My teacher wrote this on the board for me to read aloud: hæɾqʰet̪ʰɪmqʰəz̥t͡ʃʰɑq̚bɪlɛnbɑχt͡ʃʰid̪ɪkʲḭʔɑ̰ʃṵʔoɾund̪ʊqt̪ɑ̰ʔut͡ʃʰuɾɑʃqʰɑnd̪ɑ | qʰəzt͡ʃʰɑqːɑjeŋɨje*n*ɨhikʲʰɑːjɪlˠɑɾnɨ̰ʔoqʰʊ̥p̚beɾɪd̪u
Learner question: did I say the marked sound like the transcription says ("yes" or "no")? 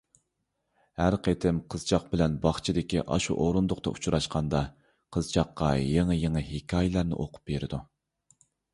no